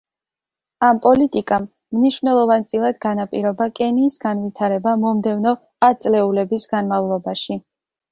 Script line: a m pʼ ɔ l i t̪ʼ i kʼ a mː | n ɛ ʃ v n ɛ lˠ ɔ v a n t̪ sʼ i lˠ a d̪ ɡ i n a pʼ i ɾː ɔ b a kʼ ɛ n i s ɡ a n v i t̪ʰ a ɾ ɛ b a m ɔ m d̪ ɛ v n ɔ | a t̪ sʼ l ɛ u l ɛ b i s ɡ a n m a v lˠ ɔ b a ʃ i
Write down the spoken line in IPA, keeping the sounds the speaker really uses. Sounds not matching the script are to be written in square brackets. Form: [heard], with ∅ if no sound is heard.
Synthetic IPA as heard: a m pʼ ɔ l i t̪ʼ i kʼ a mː | n [i] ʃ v n ɛ lˠ ɔ v a n t̪ sʼ i lˠ a d̪ ɡ [a] n a pʼ i [ɾ] ɔ b a kʼ ɛ n [iː] s ɡ a n v i t̪ʰ a ɾ ɛ b a m ɔ m d̪ ɛ v n ɔ | a t̪ sʼ l ɛ u l ɛ b i s ɡ a n m a v lˠ ɔ b a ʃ i